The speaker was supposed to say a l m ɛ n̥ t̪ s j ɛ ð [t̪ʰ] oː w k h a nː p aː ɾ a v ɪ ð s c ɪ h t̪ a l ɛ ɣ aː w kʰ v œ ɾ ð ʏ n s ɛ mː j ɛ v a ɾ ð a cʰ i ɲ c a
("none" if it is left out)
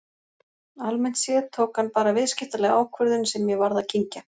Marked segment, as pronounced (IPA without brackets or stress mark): t̪ʰ